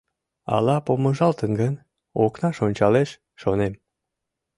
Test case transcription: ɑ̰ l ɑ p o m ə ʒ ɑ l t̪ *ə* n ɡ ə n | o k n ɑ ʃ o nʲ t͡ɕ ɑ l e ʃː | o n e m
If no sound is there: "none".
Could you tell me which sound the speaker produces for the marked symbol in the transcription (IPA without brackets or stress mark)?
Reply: ə